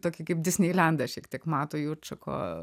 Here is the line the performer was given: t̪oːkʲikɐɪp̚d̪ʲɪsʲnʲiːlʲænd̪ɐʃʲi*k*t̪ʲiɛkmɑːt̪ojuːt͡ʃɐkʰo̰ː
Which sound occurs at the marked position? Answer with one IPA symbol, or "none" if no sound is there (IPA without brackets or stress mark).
k